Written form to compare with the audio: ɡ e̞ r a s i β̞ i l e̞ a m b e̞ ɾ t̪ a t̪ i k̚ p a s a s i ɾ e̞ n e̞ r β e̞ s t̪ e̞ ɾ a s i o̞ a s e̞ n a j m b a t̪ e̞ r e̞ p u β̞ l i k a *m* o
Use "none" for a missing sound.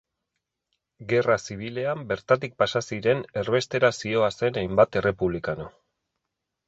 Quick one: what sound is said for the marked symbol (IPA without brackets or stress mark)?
n